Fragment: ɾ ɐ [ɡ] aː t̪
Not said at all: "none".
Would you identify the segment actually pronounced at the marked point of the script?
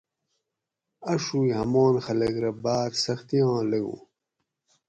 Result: b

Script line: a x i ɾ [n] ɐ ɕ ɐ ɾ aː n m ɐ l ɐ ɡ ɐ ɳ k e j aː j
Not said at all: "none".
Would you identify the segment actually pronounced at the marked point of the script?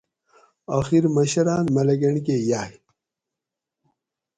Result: m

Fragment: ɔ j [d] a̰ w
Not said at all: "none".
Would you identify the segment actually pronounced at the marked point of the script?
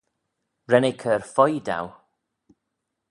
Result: d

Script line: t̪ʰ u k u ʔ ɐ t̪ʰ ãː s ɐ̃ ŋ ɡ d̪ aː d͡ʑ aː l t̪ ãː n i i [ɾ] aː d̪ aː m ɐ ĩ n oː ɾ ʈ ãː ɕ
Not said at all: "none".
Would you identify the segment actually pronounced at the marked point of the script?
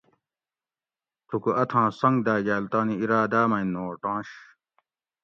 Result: ɾ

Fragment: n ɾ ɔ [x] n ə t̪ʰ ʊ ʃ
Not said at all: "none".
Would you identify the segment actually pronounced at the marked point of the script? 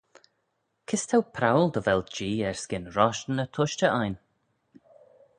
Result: ʃ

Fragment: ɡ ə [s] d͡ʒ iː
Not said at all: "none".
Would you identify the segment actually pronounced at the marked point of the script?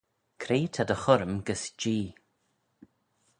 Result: s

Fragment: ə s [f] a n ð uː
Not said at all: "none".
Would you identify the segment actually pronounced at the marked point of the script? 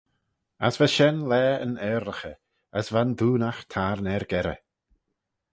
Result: v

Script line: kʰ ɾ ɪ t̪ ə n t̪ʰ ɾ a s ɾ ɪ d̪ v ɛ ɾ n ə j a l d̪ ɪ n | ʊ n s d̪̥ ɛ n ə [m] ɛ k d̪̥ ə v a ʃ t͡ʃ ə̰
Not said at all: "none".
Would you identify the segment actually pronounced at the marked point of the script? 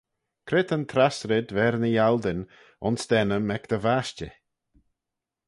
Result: m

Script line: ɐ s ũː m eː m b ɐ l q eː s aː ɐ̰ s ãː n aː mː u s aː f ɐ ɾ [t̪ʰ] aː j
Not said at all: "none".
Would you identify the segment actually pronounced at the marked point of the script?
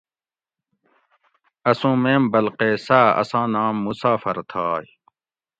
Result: t̪ʰ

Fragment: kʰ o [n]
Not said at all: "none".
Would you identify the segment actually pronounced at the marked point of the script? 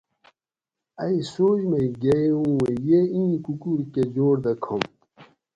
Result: m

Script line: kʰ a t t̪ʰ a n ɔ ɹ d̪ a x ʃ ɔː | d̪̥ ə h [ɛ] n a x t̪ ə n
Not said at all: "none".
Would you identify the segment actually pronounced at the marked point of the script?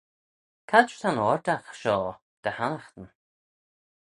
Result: a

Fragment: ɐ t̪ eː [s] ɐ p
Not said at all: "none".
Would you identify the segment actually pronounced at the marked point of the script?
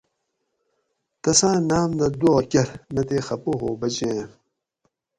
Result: x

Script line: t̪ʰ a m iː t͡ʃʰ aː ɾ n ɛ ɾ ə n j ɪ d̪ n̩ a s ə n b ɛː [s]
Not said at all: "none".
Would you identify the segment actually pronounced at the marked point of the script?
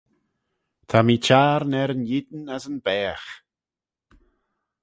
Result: x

